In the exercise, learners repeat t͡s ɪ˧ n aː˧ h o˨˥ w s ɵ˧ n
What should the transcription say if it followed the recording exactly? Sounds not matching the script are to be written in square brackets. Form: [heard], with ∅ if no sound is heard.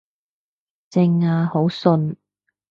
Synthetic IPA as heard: t͡s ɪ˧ [ŋ] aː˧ h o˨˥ w s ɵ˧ n